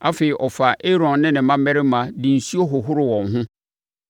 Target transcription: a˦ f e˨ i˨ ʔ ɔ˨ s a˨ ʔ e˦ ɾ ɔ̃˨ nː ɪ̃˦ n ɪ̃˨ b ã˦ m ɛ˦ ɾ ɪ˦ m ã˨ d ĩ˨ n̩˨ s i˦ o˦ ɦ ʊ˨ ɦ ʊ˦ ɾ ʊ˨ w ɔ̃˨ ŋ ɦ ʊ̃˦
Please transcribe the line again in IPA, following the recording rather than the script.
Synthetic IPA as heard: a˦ f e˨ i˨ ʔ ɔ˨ f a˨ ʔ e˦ ɾ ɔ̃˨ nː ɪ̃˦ n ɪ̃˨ m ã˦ m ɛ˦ ɾ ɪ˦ m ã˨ d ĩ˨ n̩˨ s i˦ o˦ ɦ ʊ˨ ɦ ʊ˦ ɾ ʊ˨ w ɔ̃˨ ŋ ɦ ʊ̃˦